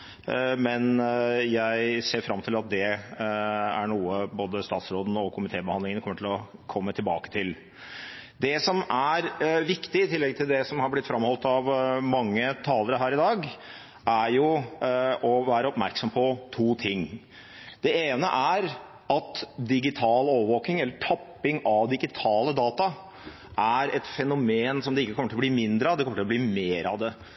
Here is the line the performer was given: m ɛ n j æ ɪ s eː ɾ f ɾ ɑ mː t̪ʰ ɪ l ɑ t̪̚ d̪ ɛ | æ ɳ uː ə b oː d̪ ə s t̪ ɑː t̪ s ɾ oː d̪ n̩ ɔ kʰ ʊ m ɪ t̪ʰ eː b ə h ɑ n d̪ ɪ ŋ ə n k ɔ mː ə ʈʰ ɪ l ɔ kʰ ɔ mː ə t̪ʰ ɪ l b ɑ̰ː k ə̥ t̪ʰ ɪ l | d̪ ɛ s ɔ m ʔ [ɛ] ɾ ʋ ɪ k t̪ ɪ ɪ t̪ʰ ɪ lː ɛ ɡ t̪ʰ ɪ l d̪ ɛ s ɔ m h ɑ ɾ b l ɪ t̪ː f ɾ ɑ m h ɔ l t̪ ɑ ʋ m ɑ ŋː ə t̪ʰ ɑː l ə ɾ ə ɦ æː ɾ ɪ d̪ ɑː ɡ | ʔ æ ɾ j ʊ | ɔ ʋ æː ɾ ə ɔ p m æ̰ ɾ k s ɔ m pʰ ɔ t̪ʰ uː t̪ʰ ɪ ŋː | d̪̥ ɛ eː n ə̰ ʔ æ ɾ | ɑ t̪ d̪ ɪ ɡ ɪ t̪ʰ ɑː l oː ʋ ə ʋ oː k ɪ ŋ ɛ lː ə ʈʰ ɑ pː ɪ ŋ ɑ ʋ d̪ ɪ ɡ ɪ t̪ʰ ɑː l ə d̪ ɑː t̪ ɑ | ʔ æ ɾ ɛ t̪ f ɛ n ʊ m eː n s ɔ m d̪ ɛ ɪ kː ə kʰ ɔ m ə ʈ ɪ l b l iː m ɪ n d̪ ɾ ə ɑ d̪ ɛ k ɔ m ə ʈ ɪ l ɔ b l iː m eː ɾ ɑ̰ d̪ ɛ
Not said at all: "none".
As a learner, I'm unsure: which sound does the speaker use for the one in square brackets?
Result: æ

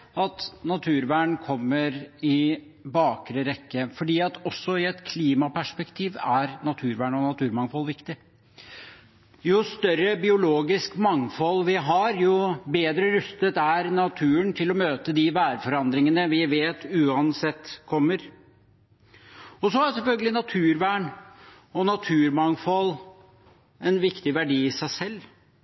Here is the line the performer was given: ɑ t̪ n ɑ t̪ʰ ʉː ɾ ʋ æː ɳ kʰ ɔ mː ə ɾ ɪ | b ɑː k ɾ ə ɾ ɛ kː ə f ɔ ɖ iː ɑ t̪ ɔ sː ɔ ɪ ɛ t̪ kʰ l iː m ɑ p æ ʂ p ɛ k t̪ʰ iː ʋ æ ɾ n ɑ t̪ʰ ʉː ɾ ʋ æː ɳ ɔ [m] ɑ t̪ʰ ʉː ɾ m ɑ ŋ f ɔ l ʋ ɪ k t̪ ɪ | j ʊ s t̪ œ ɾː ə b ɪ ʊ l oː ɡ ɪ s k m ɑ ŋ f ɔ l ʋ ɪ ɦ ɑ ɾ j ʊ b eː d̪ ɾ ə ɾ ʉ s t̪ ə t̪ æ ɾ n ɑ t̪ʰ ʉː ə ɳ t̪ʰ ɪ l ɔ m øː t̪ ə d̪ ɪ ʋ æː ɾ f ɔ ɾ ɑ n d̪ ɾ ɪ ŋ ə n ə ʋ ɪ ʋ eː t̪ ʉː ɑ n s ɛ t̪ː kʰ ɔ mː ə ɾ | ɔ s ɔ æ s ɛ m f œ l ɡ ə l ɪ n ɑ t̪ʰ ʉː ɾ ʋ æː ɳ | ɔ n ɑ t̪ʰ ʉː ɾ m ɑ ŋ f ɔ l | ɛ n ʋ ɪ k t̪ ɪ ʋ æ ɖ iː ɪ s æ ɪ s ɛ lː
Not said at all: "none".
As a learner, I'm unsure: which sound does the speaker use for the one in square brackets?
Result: n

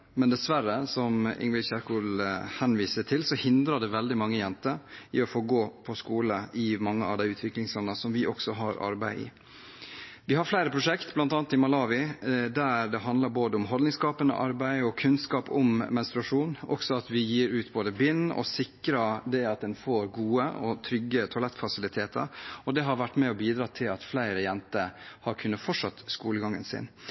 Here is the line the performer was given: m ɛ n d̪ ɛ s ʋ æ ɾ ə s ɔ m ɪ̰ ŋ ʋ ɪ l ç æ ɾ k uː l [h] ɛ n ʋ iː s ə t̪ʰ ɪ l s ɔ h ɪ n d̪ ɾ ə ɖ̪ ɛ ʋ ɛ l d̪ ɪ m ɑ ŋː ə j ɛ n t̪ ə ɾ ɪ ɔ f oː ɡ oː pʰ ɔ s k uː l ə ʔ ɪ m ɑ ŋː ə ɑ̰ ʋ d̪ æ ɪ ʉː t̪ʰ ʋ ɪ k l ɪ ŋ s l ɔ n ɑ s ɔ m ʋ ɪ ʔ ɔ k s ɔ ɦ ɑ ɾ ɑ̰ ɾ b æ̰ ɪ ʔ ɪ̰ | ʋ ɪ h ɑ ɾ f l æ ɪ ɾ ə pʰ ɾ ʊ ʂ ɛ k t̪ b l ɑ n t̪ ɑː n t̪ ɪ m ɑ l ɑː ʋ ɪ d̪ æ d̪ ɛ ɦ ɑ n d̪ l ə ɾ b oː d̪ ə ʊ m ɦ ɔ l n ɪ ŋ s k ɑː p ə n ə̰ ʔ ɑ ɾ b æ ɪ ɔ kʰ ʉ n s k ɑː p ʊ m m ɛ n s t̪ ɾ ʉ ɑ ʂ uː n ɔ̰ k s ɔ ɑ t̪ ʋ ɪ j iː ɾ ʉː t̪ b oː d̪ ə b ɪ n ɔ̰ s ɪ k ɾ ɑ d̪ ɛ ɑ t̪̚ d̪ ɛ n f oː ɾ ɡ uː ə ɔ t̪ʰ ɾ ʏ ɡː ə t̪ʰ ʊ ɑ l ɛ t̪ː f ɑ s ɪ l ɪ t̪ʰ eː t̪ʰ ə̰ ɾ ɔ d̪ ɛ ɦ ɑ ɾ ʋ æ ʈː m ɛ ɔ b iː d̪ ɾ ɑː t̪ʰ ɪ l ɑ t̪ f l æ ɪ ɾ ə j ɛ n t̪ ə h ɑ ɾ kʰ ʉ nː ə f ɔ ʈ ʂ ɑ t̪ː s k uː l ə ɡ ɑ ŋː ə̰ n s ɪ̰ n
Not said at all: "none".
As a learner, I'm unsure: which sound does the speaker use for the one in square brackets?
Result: h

